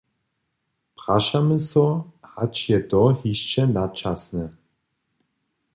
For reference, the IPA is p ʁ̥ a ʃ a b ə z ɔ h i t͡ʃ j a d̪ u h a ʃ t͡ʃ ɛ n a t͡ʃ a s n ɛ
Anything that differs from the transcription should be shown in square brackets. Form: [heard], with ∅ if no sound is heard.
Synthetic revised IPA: p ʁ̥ a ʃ a [m] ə [s] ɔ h [a] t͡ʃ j [ɛ] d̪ [ɔ] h [i] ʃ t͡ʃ ɛ n a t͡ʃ a s n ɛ